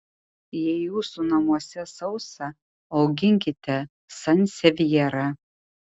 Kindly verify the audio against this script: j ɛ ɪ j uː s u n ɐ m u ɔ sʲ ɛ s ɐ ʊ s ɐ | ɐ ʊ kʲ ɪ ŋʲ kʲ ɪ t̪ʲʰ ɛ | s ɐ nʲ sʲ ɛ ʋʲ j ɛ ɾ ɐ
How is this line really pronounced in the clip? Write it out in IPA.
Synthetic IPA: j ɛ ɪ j uː s u n ɐ m u ɔ sʲ ɛ s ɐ ʊ s ɐ | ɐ ʊ ɡʲ ɪ ŋʲ kʲ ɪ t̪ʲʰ ɛ | s ɐ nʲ sʲ ɛ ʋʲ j ɛ ɾ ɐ